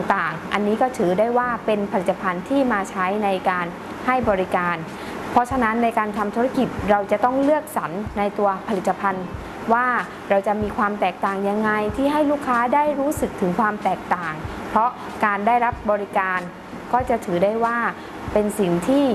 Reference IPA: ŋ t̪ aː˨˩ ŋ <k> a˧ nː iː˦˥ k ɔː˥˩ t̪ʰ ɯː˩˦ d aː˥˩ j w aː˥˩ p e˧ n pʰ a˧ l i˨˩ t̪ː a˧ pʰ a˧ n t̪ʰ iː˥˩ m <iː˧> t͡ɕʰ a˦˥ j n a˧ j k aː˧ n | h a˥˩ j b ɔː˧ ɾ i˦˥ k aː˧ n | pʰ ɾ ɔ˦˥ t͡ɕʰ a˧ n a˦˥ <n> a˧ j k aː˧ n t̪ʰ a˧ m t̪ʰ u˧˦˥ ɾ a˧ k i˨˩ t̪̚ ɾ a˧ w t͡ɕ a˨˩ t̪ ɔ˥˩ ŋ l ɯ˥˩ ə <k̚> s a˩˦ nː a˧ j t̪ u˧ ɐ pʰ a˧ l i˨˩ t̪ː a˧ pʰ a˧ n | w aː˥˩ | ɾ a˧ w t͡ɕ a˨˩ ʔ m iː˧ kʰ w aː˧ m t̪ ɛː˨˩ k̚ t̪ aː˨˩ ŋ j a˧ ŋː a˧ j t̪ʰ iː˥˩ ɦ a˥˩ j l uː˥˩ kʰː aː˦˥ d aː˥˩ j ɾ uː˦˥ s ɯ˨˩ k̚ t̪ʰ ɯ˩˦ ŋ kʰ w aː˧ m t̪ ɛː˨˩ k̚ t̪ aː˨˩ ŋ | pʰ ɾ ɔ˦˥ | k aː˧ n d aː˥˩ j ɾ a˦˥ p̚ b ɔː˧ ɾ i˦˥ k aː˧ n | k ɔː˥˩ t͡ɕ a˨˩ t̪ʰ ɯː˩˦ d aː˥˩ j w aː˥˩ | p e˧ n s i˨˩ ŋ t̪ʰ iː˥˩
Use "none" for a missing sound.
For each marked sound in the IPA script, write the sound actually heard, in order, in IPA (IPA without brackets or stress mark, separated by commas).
ʔ, aː˧, nː, k̚